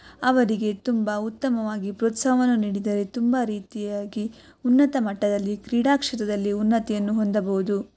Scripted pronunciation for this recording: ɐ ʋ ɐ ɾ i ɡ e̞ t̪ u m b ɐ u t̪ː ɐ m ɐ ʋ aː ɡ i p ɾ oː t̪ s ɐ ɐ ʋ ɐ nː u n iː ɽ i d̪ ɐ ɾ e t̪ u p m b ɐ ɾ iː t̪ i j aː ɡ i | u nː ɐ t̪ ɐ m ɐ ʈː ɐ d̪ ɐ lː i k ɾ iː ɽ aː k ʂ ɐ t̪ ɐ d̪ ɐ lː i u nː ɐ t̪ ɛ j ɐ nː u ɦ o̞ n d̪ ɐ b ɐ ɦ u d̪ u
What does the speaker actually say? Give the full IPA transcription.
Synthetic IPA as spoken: ɐ ʋ ɐ ɾ i ɡ e̞ t̪ u m b ɐ u t̪ː ɐ m ɐ ʋ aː ɡ i p ɾ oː t̪ s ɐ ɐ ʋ ɐ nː u n iː ɽ i d̪ ɐ ɾ e t̪ u m b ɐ ɾ iː t̪ i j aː ɡ i | u nː ɐ t̪ ɐ m ɐ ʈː ɐ d̪ ɐ lː i k ɾ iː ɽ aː k ʂ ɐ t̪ ɐ d̪ ɐ lː i u nː ɐ t̪ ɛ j ɐ nː u ɦ o̞ n d̪ ɐ b ɐ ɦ u d̪ u